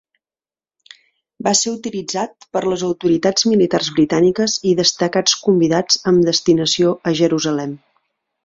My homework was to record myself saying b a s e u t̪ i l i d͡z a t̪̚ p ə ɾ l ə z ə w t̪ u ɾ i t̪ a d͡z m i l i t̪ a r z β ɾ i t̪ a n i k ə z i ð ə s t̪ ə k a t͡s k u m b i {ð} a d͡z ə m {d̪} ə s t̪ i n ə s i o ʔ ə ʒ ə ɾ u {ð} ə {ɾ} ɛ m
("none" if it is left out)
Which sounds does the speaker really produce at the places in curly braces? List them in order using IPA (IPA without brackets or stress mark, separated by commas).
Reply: ð, d̪, z, l